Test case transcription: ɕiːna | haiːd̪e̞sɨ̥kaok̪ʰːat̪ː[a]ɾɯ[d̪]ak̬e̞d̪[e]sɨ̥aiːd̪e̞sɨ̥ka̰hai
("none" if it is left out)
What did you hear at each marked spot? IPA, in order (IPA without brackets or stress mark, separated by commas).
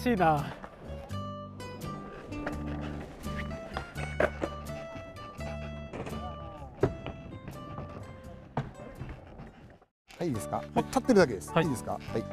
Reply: e, d̪, e